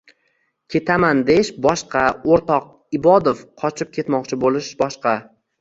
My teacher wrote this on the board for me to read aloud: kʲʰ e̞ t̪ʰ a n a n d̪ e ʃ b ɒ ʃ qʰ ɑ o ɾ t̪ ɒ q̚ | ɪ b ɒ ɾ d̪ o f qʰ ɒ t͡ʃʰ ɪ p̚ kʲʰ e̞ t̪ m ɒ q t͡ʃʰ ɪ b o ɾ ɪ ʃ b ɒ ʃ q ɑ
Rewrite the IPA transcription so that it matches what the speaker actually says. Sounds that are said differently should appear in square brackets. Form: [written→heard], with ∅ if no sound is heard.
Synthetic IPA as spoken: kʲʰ e̞ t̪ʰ a [n→m] a n d̪ e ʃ b ɒ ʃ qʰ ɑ o ɾ t̪ ɒ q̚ | ɪ b ɒ [ɾ→∅] d̪ o f qʰ ɒ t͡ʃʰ ɪ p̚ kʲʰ e̞ t̪ m ɒ q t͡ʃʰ ɪ b o [ɾ→l] ɪ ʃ b ɒ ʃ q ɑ

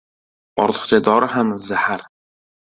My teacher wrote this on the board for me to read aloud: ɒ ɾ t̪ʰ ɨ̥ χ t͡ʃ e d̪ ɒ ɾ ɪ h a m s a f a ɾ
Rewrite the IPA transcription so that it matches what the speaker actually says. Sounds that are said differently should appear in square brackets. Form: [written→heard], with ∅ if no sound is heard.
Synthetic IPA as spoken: ɒ ɾ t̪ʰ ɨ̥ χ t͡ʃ [e→a] d̪ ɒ ɾ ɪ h a m [s→z] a [f→h] a ɾ

